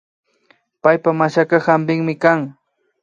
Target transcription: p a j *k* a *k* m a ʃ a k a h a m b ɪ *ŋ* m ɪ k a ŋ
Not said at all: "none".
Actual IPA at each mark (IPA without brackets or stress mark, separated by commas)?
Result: p, none, ŋ